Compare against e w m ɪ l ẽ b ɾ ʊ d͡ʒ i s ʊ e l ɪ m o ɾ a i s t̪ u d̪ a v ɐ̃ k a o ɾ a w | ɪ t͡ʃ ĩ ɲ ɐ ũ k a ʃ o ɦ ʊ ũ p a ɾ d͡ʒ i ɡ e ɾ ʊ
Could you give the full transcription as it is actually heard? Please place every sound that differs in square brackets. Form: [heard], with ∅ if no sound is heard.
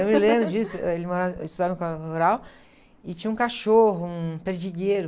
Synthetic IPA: e w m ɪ l ẽ b ɾ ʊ d͡ʒ i s ʊ e l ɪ m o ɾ a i s t̪ u d̪ a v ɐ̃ k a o ɾ a w | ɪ t͡ʃ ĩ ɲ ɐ ũ k a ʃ o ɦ ʊ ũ p [e] ɾ d͡ʒ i ɡ e ɾ ʊ

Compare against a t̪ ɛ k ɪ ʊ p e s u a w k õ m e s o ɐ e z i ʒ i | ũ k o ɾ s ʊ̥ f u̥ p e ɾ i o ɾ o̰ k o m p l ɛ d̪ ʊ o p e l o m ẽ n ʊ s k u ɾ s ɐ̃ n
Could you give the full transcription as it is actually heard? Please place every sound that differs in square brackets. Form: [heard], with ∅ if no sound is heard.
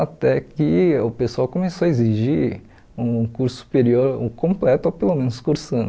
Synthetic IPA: a t̪ ɛ k ɪ ʊ p e s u a w k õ m e s o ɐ e z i ʒ i | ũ k [u] ɾ s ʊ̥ [s] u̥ p e ɾ i o ɾ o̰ k [õ] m p l ɛ [t̪] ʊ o p e l o m ẽ n ʊ s k u ɾ s ɐ̃ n

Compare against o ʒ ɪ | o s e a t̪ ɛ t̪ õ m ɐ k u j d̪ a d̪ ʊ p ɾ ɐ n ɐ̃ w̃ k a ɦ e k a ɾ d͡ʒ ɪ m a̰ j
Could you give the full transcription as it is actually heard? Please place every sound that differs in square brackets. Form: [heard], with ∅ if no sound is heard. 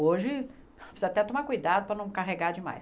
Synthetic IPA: o ʒ ɪ | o s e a t̪ ɛ t̪ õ m [a] k u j d̪ a d̪ ʊ p ɾ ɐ n ɐ̃ w̃ k a ɦ e [ɡ] a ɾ d͡ʒ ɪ m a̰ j

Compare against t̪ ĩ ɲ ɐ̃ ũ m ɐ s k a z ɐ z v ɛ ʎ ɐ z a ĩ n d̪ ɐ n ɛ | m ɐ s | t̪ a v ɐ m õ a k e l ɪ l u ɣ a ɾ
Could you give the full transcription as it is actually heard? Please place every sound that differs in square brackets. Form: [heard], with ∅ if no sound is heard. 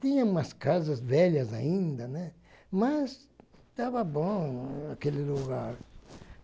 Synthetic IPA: t̪ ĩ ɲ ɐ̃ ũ m ɐ s k a z ɐ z v ɛ ʎ ɐ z a ĩ n d̪ ɐ n ɛ | m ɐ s | t̪ a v ɐ [b] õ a k e l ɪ l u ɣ a ɾ

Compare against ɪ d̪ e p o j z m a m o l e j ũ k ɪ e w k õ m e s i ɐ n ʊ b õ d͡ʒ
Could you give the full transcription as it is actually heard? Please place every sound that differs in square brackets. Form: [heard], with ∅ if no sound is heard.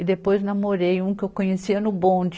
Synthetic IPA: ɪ d̪ e p o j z [n] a m o [ɾ] e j ũ k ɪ e w k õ [ɲ] e s i ɐ n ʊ b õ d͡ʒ

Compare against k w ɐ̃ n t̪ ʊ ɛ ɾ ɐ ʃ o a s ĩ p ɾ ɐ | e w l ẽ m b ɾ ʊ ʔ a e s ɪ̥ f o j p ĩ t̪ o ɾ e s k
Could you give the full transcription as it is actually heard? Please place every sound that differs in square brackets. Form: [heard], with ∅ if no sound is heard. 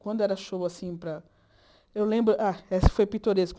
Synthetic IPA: k w ɐ̃ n [d̪] ʊ ɛ ɾ ɐ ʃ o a s ĩ p ɾ ɐ | e w l ẽ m b ɾ ʊ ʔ a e s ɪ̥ f o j p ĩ t̪ o ɾ e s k

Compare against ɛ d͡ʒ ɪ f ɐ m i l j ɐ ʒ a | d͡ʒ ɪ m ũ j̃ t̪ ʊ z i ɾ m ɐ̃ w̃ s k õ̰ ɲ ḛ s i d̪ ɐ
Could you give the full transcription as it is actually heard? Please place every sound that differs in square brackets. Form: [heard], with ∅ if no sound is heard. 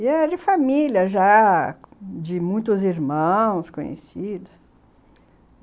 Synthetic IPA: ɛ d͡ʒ ɪ f [a] m i l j ɐ ʒ a | d͡ʒ ɪ m ũ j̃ t̪ ʊ z i ɾ m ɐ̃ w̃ s k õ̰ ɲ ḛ s i d̪ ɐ

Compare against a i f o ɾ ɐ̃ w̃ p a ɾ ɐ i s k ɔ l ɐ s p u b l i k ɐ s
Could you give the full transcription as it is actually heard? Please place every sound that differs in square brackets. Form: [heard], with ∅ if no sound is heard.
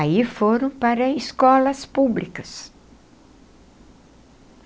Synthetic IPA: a i f o ɾ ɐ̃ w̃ p a ɾ ɐ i s k ɔ l ɐ s p u b l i k ɐ s

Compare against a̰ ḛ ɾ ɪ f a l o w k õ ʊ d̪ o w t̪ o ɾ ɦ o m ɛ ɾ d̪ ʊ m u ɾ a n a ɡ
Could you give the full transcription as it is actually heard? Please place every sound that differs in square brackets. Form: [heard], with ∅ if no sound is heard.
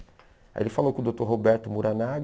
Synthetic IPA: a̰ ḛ [l] ɪ f a l o w k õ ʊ d̪ o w t̪ o ɾ ɦ o [b] ɛ ɾ [t̪] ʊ m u ɾ a n a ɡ

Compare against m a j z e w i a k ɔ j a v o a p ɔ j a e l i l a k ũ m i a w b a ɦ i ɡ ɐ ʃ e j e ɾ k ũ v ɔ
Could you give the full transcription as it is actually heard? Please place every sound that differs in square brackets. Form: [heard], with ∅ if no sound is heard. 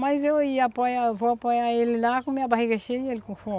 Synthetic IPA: m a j z e w i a [p] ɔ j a v o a p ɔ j a e l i l a k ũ m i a [∅] b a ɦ i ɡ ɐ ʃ e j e [l] k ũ [f] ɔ

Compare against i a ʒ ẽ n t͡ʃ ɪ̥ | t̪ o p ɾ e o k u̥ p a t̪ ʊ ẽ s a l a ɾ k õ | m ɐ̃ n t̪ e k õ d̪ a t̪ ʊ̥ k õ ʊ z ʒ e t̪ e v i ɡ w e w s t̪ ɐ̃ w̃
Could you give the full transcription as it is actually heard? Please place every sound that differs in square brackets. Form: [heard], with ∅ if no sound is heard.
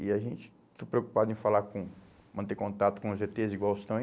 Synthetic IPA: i a ʒ ẽ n t͡ʃ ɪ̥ | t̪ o p ɾ e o k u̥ p a [d̪] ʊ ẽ [f] a l a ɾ k õ | m ɐ̃ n t̪ e k õ [t̪] a t̪ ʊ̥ k õ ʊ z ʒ e t̪ e [z] i ɡ w [a] w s t̪ ɐ̃ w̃

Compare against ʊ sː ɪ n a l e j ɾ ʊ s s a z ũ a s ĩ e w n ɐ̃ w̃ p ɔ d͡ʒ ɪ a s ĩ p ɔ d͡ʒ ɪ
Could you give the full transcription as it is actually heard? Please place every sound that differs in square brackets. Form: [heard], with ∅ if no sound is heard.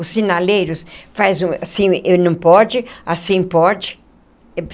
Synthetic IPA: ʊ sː [i] n a l e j ɾ ʊ s [f] a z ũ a s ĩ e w n ɐ̃ w̃ p ɔ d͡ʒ ɪ a s ĩ p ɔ d͡ʒ ɪ

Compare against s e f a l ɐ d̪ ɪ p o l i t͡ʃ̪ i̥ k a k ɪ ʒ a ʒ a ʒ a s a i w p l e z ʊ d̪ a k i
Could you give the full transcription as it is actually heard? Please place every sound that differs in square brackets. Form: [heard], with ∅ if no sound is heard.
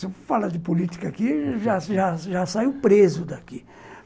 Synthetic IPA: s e f a l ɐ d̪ ɪ p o l i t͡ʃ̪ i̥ k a k [i] ʒ a ʒ a ʒ a s a i w p [ɾ] e z ʊ d̪ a k i

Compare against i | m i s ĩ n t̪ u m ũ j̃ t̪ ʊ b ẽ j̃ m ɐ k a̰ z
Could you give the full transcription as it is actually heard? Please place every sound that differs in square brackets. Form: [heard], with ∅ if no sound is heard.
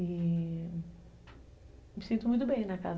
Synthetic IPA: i | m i s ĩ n t̪ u m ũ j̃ t̪ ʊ b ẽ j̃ [n] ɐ k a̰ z

